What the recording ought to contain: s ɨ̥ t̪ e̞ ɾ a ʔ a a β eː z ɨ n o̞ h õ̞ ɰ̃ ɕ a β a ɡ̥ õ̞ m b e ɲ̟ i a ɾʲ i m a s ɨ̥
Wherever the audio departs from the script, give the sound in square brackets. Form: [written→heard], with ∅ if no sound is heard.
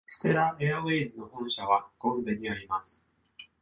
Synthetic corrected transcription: s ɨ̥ t̪ e̞ ɾ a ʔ [a→e] a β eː z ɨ n o̞ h õ̞ ɰ̃ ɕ a β a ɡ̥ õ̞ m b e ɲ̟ i a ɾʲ i m a s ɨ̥